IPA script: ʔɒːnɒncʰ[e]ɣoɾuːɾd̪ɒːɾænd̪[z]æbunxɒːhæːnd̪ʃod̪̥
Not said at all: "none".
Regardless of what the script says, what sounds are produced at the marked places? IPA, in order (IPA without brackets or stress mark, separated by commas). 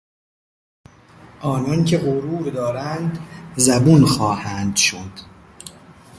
e, z